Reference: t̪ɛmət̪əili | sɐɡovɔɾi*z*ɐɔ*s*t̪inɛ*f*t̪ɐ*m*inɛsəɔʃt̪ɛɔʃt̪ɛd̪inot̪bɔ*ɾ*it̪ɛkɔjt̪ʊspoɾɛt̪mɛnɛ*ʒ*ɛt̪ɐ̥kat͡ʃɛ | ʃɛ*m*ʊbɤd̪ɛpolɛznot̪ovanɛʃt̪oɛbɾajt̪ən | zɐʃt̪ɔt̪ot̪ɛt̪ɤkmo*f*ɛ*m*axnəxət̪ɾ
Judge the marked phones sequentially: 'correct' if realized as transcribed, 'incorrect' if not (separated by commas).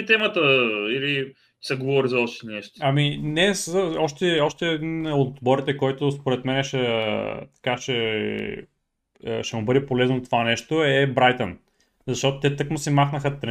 correct, incorrect, incorrect, correct, correct, incorrect, correct, incorrect, correct